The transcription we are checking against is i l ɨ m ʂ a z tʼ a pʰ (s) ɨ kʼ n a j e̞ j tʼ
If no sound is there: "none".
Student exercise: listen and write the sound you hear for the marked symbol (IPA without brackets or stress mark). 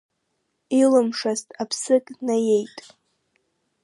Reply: s